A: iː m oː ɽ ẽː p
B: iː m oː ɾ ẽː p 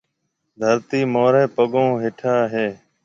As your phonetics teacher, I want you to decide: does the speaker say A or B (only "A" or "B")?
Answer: B